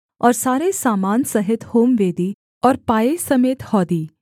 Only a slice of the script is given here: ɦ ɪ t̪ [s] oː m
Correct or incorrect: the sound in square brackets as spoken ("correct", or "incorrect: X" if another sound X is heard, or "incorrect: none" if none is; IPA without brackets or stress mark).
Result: incorrect: h